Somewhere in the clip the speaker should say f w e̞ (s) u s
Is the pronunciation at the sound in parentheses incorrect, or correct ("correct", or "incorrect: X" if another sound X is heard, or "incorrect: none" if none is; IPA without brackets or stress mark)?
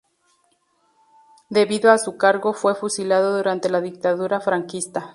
incorrect: f